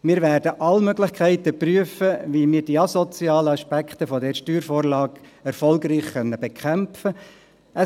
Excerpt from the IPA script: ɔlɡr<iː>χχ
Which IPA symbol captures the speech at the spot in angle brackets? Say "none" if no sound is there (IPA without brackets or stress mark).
iː